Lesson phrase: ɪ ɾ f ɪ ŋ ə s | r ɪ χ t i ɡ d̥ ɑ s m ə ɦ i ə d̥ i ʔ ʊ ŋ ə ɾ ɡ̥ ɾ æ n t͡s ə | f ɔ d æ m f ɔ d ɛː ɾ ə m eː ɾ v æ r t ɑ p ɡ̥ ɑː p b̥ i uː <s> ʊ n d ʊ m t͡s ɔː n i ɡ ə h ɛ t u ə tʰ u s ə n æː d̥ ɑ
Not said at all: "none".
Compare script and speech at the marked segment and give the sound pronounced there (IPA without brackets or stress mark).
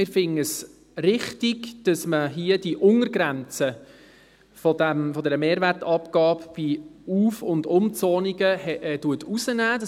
f